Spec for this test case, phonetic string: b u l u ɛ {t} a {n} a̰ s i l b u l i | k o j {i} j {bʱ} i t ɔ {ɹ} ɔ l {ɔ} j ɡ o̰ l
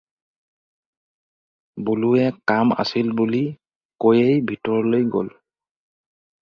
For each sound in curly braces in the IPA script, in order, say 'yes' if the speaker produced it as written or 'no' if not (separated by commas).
no, no, no, yes, yes, no